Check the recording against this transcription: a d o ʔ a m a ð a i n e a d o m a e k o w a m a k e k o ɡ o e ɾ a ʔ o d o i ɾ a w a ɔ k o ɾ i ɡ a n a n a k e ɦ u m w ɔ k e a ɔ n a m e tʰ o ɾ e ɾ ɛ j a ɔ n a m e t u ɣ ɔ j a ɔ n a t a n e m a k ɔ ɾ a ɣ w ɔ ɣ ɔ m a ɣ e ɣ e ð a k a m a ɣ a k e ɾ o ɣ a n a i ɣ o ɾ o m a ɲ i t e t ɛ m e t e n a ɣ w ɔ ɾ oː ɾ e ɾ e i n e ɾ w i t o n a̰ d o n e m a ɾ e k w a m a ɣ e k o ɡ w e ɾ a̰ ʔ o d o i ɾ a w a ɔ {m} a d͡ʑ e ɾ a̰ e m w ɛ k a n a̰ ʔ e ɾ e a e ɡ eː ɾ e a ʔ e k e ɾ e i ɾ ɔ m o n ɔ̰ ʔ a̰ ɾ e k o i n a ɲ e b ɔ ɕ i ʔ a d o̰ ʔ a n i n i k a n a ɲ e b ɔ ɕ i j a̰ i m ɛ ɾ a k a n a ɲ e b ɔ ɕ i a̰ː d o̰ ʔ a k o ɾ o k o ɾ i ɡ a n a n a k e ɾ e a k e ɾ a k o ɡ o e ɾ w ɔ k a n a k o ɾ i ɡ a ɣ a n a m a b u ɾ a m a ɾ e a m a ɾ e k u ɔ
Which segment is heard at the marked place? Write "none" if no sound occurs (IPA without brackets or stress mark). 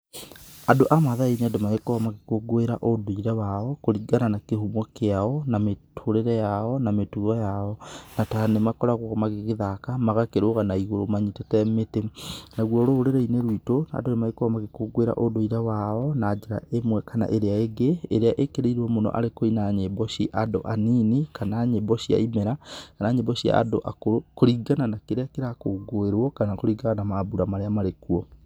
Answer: n